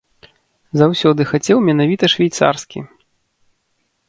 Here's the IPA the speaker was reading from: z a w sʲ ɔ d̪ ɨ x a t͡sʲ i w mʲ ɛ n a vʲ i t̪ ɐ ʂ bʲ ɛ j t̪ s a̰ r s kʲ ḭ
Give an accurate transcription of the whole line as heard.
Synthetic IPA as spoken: z a w sʲ ɔ d̪ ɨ x a t͡sʲ ɛ w mʲ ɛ n a vʲ i t̪ ɐ ʂ vʲ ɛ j t̪ s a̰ r s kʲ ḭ